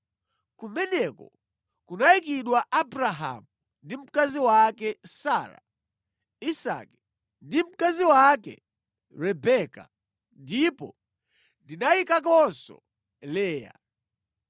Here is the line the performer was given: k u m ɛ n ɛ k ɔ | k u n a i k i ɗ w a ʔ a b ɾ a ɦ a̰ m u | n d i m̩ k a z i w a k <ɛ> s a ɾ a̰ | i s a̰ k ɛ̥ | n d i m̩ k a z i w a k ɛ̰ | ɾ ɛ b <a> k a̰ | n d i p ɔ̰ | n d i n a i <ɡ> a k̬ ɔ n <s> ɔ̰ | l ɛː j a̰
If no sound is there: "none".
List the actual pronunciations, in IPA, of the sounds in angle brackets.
ɛ, ɛ, k, s

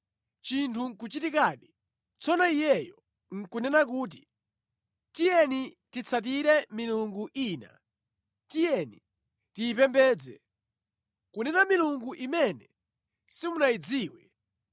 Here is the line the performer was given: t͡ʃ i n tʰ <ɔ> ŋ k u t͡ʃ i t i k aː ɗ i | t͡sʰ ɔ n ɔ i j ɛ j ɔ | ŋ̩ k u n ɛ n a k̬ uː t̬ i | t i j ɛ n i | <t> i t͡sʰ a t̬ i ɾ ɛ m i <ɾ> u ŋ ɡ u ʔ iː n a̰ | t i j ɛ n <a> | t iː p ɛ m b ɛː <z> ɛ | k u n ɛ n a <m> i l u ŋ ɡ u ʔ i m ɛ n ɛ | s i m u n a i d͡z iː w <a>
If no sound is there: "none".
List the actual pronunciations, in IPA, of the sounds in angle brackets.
u, t, l, i, d͡z, m, ɛ

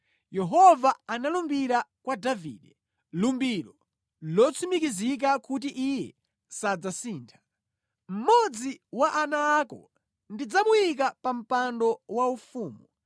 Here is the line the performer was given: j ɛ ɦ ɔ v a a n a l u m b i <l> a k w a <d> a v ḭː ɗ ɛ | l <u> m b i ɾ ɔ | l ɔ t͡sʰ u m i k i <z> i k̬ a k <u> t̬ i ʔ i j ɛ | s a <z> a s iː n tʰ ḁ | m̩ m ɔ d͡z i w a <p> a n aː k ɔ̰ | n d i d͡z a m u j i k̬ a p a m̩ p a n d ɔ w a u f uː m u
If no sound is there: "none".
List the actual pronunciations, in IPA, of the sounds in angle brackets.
ɾ, d, u, z, u, d͡z, ʔ

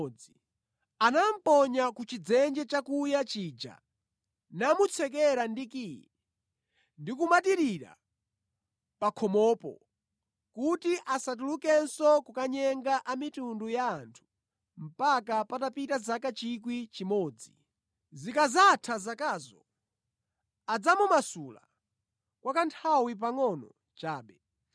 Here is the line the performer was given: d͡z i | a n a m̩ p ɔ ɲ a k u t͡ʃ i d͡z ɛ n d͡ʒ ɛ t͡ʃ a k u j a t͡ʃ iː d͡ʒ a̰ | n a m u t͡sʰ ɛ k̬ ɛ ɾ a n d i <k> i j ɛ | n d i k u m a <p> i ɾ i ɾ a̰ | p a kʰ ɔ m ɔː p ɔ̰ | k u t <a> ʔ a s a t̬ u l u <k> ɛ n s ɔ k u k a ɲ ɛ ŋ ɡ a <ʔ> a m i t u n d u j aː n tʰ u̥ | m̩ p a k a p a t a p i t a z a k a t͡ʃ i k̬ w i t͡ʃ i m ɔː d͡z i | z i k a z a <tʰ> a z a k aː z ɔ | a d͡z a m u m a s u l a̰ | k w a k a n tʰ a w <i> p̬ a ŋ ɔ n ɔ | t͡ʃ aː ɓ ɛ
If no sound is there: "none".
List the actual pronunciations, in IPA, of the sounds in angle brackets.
k, t, i, k, ʔ, tʰ, i

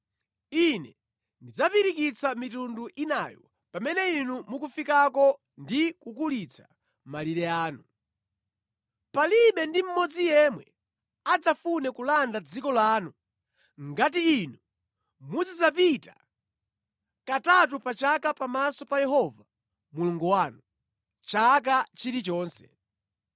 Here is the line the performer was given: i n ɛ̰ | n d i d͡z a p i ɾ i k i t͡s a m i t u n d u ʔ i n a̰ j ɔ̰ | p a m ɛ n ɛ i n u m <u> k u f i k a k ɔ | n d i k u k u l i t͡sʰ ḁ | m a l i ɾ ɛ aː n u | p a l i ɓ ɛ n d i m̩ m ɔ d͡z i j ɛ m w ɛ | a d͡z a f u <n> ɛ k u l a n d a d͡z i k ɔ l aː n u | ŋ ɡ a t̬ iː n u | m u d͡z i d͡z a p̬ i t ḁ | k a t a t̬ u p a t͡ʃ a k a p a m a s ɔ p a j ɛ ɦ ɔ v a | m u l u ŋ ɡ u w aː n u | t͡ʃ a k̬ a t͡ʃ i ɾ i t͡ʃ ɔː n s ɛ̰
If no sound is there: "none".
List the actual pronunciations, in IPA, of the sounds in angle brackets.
u, n

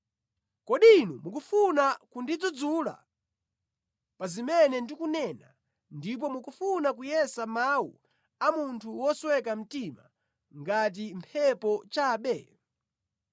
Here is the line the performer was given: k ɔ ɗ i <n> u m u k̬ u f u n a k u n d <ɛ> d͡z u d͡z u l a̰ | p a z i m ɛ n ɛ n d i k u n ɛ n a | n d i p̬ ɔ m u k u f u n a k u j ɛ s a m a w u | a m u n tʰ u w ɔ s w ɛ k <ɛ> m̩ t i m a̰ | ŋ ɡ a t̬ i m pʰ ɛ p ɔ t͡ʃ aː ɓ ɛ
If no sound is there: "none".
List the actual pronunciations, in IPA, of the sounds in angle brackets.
n, i, a

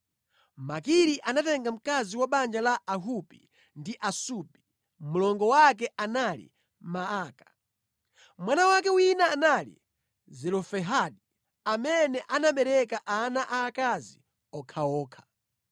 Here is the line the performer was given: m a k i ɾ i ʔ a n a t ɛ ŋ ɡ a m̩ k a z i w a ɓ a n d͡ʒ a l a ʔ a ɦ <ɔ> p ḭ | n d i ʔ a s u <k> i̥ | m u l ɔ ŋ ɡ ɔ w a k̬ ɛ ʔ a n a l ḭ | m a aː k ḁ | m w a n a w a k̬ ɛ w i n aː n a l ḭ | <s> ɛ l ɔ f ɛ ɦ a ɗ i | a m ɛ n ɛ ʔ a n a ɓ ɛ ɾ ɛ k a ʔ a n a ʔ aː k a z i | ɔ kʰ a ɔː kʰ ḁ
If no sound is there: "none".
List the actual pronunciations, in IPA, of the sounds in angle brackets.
u, p, z

